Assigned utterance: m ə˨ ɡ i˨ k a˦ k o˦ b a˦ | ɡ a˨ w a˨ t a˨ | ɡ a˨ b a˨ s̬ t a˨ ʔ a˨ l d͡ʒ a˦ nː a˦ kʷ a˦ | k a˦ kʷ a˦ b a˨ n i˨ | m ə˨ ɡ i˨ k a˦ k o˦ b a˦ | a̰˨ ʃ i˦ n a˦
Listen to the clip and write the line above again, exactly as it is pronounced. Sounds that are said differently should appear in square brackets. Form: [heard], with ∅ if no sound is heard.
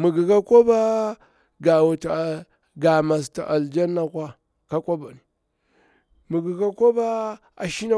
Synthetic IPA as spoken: m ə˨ ɡ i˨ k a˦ k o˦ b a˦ | ɡ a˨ w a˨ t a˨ | ɡ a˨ [m] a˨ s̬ t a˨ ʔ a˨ l d͡ʒ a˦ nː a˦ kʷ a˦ | k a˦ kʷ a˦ b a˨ n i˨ | m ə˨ ɡ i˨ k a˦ k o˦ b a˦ | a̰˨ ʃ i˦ n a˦